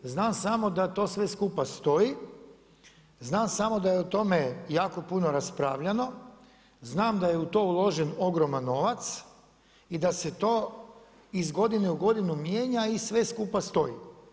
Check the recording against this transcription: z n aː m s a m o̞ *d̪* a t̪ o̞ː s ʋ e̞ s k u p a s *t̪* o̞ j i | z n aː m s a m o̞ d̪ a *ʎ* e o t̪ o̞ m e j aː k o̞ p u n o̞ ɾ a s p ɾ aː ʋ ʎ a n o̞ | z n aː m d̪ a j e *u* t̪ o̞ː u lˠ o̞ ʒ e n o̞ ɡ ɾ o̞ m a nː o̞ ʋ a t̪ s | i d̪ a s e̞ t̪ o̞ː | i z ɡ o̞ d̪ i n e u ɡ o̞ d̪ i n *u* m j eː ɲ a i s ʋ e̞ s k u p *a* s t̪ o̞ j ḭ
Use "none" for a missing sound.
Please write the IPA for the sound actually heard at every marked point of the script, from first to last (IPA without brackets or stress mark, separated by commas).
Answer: d̪, t̪, j, u, u, a